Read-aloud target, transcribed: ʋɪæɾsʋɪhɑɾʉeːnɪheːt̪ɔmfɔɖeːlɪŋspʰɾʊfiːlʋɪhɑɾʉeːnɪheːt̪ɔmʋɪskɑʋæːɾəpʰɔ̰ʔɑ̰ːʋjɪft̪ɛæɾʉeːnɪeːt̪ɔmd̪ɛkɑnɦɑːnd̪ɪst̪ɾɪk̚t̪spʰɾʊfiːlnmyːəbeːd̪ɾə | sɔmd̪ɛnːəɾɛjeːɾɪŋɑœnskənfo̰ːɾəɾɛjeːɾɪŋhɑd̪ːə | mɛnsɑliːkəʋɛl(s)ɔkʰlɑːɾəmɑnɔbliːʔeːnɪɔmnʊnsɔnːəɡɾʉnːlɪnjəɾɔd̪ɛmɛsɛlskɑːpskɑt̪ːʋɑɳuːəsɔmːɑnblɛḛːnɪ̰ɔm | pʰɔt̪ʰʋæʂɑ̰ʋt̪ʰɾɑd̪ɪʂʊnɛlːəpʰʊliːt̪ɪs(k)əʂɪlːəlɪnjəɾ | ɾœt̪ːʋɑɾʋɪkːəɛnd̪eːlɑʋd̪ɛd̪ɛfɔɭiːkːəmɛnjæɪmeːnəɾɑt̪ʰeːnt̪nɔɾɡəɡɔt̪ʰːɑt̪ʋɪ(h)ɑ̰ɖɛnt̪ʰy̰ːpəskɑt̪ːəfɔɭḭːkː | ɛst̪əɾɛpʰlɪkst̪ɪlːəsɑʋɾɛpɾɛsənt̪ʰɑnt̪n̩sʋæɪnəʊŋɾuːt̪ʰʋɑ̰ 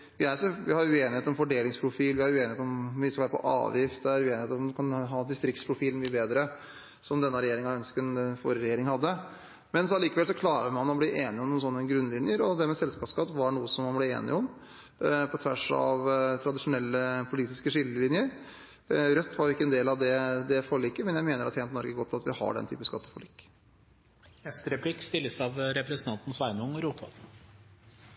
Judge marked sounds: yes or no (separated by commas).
yes, yes, yes